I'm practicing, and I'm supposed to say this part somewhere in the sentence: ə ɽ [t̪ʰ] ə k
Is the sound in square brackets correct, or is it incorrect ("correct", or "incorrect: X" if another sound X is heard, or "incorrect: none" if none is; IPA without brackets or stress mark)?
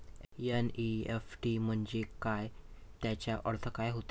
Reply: correct